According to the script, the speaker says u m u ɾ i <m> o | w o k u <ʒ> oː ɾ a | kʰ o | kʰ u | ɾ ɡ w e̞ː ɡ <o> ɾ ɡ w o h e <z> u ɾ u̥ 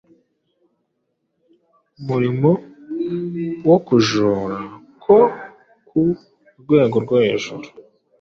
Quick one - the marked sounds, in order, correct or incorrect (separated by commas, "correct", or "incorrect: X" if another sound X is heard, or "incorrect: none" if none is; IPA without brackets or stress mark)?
correct, correct, correct, incorrect: ʒ